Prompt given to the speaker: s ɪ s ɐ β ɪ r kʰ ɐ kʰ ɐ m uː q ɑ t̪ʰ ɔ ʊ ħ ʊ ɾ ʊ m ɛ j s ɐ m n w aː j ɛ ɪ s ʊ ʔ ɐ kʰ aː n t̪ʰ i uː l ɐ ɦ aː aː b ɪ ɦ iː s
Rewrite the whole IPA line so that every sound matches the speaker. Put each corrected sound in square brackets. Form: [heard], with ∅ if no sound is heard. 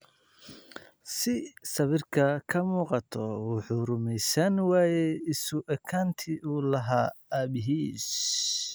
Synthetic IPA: s ɪ s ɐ β ɪ r kʰ ɐ kʰ ɐ m uː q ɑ t̪ʰ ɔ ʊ ħ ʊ ɾ ʊ m ɛ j s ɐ [∅] n w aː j ɛ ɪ s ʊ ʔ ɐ kʰ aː n t̪ʰ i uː l ɐ ɦ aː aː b ɪ ɦ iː s